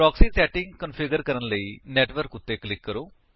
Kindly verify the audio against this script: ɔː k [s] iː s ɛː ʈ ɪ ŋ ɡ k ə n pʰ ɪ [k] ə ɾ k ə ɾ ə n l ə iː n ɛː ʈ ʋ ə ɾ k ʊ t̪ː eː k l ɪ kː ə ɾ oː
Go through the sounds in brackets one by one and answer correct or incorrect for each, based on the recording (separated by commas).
correct, incorrect